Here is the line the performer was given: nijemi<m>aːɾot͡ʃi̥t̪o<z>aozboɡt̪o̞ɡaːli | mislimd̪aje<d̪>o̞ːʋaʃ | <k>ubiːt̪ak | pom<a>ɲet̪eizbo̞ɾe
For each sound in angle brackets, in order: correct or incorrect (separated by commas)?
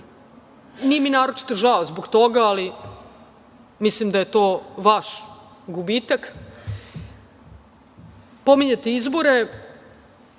incorrect, incorrect, incorrect, incorrect, incorrect